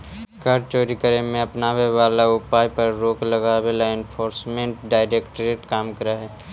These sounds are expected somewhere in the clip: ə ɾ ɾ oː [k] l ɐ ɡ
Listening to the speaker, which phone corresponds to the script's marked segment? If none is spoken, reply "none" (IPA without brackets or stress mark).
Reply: k